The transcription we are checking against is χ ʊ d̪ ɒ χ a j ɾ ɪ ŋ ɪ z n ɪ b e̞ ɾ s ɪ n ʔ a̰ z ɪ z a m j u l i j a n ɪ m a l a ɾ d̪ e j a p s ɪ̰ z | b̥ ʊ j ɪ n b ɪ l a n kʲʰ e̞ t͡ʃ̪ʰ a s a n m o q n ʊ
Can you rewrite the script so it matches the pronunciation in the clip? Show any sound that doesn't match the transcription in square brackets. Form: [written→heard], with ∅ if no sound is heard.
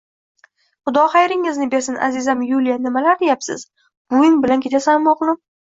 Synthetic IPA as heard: χ ʊ d̪ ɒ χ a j ɾ ɪ ŋ ɪ z n ɪ b e̞ ɾ s ɪ n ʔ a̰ z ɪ z a m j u l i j a n ɪ m a l a ɾ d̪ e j a p s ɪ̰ z | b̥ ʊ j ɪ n b ɪ l a n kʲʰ e̞ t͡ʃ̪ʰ a s a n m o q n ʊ